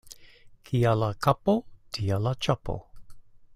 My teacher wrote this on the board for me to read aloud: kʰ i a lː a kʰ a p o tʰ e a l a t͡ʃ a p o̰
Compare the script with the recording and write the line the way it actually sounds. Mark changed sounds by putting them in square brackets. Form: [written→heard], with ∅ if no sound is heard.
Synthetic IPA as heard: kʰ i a [lː→l] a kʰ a p o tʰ [e→i] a l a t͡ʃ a p o̰